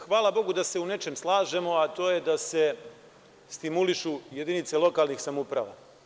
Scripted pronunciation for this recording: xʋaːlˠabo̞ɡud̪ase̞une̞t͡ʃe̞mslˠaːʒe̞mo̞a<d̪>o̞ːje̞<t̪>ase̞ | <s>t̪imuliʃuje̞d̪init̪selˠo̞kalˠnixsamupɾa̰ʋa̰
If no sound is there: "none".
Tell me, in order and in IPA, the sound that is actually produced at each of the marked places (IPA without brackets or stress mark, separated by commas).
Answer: t̪, d̪, s